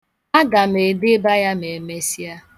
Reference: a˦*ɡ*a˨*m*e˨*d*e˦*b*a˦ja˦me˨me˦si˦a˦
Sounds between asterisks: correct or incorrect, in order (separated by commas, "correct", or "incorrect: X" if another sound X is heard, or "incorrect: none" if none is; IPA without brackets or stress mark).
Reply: correct, correct, correct, correct